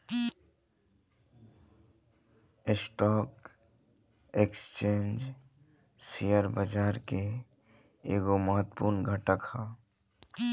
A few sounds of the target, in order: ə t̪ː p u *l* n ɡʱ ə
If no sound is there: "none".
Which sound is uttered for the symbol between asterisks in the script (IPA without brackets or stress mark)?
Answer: ɾ